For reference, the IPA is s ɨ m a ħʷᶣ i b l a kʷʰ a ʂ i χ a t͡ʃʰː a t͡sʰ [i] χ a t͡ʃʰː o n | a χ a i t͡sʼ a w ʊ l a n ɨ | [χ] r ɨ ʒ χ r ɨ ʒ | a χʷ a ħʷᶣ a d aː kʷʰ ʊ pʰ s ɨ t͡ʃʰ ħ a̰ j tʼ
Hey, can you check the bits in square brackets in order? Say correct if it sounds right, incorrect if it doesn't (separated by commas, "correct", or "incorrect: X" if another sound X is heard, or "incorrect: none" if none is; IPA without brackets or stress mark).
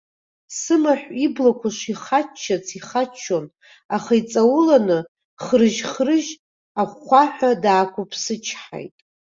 correct, correct